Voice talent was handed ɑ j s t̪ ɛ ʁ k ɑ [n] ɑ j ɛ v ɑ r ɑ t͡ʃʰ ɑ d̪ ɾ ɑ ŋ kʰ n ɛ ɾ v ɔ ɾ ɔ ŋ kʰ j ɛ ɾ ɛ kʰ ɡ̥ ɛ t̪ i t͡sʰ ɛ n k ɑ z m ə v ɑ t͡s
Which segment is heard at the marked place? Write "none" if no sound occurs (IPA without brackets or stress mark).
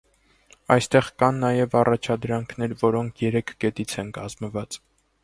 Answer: nː